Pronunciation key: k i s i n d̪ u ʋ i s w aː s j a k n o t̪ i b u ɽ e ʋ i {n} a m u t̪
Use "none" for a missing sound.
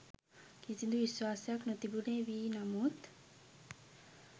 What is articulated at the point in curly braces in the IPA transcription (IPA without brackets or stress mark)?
n